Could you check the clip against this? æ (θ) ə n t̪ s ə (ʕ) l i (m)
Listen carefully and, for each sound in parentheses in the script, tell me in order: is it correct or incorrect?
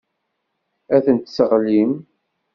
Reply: correct, incorrect: ʁ, correct

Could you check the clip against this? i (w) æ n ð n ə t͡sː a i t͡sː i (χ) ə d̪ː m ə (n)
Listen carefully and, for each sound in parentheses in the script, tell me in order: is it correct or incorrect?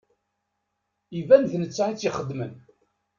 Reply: incorrect: v, correct, correct

